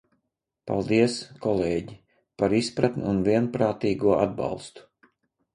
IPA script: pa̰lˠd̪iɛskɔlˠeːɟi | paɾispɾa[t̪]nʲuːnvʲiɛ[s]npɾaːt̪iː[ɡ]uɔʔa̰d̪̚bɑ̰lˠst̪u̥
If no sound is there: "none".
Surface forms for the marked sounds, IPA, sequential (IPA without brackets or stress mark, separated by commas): t̪, none, ɡ